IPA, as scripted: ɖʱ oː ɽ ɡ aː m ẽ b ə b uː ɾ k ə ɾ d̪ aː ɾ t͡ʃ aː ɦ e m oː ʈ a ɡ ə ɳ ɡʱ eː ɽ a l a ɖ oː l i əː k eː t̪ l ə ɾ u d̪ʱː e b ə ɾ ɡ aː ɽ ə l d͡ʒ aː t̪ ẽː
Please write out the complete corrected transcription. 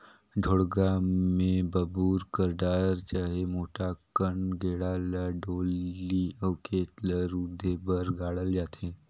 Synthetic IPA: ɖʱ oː ɽ ɡ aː m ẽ b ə b uː ɾ k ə ɾ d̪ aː ɾ t͡ʃ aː ɦ e m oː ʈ a k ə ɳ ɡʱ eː ɽ a l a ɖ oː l i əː k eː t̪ l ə ɾ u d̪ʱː e b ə ɾ ɡ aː ɽ ə l d͡ʒ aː t̪ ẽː